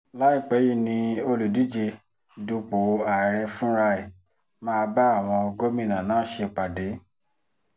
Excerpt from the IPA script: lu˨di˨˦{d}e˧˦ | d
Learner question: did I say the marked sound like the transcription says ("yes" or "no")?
no